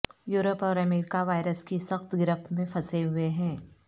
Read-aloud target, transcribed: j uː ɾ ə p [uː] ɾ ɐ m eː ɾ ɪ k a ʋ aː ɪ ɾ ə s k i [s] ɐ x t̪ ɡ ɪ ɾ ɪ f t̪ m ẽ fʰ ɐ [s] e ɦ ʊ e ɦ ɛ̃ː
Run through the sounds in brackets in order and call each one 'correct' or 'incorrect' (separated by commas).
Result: incorrect, correct, correct